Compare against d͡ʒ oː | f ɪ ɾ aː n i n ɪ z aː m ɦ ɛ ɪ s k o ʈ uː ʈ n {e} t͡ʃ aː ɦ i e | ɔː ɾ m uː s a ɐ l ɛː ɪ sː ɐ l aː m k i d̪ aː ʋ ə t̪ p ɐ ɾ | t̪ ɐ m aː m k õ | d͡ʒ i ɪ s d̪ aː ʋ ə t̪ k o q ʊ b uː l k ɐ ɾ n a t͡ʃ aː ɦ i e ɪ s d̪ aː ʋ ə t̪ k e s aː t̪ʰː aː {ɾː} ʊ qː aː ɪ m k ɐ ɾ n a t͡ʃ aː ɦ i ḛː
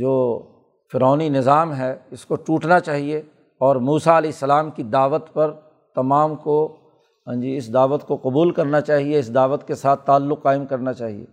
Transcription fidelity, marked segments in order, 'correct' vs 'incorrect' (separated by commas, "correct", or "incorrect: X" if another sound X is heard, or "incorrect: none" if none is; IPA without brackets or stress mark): incorrect: a, incorrect: lː